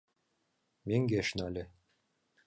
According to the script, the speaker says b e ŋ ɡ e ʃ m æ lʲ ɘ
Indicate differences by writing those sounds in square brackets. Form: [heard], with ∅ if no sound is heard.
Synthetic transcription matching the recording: [m] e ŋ ɡ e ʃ [n] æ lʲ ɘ

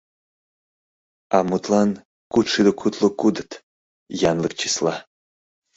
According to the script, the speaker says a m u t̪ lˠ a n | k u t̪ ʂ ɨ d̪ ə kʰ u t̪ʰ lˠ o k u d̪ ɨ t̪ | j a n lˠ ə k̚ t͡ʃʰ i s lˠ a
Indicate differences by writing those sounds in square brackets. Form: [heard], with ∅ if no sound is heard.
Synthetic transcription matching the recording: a m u t̪ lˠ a n | k u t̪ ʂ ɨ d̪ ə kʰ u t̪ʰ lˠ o k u d̪ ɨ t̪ | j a n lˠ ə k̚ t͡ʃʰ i s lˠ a

